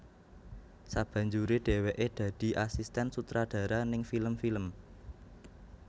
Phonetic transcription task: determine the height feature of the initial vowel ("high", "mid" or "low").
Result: low